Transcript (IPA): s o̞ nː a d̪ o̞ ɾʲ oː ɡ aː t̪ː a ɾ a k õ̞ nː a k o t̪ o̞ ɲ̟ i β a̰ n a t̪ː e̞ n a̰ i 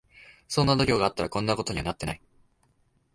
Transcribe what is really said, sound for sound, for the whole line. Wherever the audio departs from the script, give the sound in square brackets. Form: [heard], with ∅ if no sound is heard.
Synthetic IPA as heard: s o̞ nː a d̪ o̞ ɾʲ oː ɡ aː t̪ː a ɾ a k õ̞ nː a k o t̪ o̞ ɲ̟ i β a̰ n a t̪ː e̞ n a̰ i